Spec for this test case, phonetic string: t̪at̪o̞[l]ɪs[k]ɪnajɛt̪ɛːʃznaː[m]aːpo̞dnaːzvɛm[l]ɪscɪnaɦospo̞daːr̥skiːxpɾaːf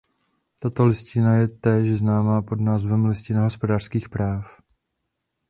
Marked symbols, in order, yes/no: yes, no, yes, yes

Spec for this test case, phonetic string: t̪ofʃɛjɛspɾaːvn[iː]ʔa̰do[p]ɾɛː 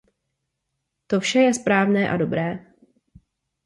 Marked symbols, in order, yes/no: no, no

